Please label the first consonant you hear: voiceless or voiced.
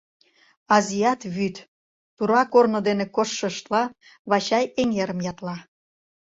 voiced